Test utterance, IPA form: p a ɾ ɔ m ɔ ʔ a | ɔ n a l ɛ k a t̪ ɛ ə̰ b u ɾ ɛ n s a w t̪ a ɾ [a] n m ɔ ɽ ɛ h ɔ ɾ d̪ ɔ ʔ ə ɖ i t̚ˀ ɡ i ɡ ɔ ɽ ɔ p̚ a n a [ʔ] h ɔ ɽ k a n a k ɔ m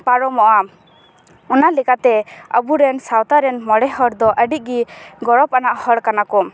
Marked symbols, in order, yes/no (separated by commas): no, yes